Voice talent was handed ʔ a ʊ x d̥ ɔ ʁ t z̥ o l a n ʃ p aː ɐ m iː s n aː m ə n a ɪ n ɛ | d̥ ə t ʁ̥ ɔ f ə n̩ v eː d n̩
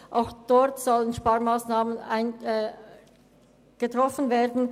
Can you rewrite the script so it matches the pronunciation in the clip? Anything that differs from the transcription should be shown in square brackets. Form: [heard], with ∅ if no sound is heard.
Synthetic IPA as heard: ʔ a ʊ x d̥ ɔ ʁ t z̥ [ɔ] l [ə] n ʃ p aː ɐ m [aː] s n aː m ə n a ɪ n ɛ | [ɡ̥] ə t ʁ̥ ɔ f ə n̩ v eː d n̩